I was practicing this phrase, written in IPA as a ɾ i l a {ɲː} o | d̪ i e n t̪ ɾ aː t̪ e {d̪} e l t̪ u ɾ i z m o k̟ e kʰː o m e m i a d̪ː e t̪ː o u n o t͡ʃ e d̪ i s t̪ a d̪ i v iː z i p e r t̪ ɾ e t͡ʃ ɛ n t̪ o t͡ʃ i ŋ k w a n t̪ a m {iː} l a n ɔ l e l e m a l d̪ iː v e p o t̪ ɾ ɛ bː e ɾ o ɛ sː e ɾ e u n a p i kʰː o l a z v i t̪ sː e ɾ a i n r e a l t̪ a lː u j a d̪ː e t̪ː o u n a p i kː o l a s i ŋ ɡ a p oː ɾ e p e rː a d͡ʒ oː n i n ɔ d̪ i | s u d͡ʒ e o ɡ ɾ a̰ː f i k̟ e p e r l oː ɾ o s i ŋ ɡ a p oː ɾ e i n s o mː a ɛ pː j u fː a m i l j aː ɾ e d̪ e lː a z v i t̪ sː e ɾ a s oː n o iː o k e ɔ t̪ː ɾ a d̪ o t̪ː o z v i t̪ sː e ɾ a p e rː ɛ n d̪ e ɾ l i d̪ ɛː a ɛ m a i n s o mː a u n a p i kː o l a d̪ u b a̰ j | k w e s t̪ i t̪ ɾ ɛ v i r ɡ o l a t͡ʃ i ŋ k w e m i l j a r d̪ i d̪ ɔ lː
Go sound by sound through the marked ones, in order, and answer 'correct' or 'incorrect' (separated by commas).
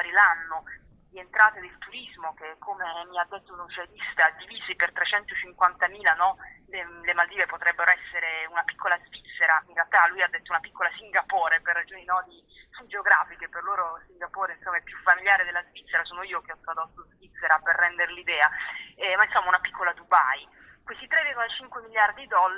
incorrect, correct, correct